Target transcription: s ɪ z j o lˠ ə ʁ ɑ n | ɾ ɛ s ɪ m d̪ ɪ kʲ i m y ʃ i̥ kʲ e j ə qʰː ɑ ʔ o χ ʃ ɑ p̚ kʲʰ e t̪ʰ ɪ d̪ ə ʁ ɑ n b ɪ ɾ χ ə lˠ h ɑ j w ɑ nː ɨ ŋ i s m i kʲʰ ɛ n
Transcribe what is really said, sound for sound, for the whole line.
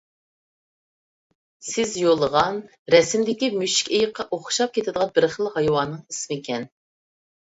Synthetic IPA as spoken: s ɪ z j o lˠ ə ʁ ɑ n | ɾ ɛ s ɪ m d̪ ɪ kʲ i m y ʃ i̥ kʲ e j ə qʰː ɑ ʔ o χ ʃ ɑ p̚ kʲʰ e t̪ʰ ɪ d̪ ə ʁ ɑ n b ɪ ɾ χ ə lˠ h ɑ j w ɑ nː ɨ ŋ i s m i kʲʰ ɛ n

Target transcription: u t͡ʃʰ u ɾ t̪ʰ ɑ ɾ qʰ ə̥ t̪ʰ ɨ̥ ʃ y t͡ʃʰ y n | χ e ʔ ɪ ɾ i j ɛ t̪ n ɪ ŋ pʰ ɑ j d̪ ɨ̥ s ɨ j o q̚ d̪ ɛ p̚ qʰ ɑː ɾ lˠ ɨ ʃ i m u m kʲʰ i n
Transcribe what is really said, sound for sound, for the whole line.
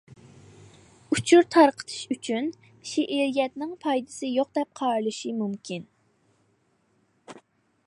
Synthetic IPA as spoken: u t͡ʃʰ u ɾ t̪ʰ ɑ ɾ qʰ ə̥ t̪ʰ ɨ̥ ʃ y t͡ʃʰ y n | ʃ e ʔ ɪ ɾ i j ɛ t̪ n ɪ ŋ pʰ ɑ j d̪ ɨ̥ s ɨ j o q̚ d̪ ɛ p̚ qʰ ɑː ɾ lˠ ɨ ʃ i m u m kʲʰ i n

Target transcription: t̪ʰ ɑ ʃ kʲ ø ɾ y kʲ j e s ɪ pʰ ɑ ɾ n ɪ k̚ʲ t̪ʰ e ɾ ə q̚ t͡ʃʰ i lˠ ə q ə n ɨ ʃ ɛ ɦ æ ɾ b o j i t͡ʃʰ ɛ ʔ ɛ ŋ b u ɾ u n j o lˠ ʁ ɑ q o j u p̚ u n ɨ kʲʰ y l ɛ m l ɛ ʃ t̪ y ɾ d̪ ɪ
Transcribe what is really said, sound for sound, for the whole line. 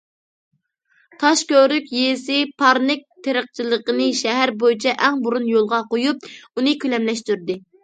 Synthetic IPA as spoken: t̪ʰ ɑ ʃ kʲ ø ɾ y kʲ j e s ɪ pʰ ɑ ɾ n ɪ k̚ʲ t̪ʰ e ɾ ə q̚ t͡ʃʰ i lˠ ə q ə n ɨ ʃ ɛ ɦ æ ɾ b o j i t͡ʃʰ ɛ ʔ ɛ ŋ b u ɾ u n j o lˠ ʁ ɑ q o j u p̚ u n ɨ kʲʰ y l ɛ m l ɛ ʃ t̪ y ɾ d̪ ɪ

